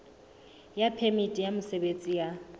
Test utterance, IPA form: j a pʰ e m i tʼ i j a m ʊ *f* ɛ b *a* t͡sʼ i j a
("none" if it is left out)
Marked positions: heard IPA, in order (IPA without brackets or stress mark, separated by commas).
s, e